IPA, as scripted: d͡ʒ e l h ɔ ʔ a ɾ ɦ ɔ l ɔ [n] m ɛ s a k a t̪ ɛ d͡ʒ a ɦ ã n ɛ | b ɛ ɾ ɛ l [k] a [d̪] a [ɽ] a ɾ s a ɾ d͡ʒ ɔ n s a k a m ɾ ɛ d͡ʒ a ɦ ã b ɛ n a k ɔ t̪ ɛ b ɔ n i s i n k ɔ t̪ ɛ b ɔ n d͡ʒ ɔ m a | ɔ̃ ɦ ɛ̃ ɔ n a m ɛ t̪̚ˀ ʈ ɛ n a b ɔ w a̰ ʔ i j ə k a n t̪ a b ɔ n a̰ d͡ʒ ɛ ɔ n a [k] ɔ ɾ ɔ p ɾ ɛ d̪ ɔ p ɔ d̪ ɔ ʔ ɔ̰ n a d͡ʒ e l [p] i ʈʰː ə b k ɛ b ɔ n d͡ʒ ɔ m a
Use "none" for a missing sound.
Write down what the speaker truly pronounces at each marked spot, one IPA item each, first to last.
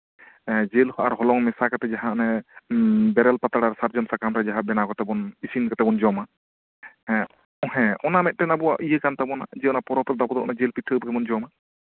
ŋ, p, t̪, ɽ, p, p

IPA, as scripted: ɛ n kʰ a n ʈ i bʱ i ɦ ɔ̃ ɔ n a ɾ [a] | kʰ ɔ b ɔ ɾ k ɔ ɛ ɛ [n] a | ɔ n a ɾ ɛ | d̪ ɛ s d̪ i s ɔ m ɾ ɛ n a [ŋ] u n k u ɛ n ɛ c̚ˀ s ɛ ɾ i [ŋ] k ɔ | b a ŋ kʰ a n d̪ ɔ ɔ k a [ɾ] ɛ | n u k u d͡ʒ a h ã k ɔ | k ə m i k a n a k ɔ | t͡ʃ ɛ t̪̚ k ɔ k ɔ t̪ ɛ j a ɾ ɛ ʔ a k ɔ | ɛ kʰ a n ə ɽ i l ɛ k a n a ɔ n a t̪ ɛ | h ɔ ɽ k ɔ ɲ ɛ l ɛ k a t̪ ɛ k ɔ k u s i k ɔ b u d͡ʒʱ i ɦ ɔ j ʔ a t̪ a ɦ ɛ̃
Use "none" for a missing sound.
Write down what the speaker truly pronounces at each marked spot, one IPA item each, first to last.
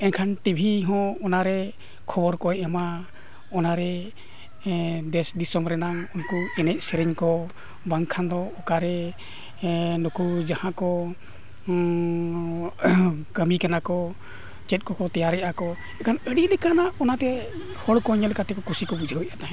ɛ, m, ŋ, ɲ, ɾ

